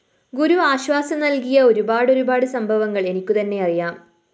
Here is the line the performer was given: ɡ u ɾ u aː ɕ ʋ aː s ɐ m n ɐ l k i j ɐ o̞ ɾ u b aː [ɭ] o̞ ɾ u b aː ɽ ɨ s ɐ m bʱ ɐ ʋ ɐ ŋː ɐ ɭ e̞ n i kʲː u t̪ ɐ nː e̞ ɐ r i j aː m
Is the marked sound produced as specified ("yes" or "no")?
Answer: no